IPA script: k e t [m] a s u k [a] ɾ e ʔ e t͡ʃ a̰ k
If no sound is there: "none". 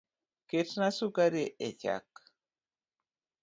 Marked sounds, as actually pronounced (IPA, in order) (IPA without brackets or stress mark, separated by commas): n, a